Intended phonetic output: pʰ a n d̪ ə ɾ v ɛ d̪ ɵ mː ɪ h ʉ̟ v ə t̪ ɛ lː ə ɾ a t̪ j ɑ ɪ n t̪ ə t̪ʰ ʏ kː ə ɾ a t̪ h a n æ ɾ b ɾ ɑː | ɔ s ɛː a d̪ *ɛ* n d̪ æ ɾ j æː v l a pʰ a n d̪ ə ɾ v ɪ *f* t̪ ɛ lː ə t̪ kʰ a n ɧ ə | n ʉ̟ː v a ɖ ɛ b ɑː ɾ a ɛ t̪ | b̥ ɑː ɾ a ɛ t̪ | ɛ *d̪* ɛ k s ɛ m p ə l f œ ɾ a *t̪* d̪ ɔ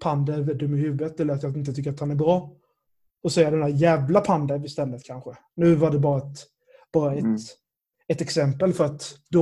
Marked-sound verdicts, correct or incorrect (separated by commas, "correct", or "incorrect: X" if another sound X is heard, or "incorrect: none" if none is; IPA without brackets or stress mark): correct, incorrect: s, incorrect: t̪, correct